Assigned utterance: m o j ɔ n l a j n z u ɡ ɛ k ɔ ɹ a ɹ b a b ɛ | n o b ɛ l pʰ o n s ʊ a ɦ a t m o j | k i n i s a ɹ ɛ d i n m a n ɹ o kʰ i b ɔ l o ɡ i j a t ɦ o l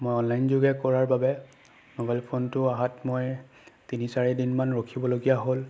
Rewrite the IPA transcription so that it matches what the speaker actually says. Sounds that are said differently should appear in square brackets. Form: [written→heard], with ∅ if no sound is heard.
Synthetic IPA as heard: m o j ɔ n l a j n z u ɡ ɛ k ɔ ɹ a ɹ b a b ɛ | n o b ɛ l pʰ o n [s→t] ʊ a ɦ a t m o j | [k→t] i n i s a ɹ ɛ d i n m a n ɹ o kʰ i b ɔ l o ɡ i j a [t→∅] ɦ o l

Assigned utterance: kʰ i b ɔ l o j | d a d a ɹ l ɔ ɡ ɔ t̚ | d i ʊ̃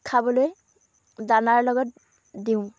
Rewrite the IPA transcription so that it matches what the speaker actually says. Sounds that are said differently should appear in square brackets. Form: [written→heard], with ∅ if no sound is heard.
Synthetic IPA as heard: kʰ [i→a] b ɔ l o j | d a [d→n] a ɹ l ɔ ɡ ɔ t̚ | d i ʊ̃

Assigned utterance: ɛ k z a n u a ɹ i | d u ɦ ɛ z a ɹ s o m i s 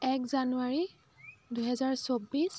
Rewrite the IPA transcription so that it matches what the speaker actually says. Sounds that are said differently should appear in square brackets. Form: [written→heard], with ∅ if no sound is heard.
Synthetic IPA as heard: ɛ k z a n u a ɹ i | d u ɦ ɛ z a ɹ s o [m→b] i s

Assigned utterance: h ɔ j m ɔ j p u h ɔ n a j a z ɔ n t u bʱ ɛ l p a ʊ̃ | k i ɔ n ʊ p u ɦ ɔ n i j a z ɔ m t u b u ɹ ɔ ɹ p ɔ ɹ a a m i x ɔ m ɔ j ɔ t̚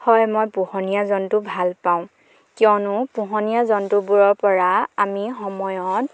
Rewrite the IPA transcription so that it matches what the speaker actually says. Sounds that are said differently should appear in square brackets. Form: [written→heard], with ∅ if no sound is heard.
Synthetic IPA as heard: h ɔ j m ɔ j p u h ɔ n [a→i] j a z ɔ n t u bʱ [ɛ→a] l p a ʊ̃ | k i ɔ n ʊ p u ɦ ɔ n i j a z ɔ [m→n] t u b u ɹ ɔ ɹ p ɔ ɹ a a m i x ɔ m ɔ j ɔ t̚

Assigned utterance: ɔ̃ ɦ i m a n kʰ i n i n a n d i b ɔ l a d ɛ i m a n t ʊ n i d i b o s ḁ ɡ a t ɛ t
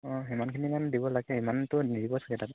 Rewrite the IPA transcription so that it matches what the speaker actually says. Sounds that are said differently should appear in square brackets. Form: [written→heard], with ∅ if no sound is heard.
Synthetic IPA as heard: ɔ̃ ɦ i m a n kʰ i n i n a n d i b ɔ l a [d→ɡ] ɛ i m a n t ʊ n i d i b [o→ɔ] s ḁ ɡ [a→ɛ] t [ɛ→a] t

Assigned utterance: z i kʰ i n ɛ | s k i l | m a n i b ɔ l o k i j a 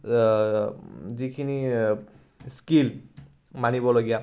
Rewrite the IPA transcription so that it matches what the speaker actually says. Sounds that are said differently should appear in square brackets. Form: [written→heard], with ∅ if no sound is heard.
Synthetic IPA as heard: z i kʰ i n [ɛ→i] | s k i l | m a n i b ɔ l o [k→ɡ] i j a

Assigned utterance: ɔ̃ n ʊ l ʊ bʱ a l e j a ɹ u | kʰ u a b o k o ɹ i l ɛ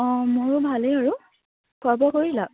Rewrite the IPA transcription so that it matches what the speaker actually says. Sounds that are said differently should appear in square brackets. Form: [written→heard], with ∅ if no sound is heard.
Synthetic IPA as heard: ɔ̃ [n→m] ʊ [l→ɹ] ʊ bʱ a l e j a ɹ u | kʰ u a b [o→ɔ] k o ɹ i l [ɛ→a]

